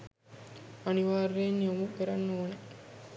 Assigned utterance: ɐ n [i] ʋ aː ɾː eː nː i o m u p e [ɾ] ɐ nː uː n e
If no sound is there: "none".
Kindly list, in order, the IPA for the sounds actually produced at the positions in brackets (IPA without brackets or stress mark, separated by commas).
i, ɾ